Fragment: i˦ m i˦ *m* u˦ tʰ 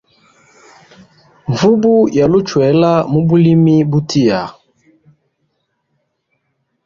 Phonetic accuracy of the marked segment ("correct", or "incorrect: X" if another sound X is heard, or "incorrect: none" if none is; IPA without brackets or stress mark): incorrect: b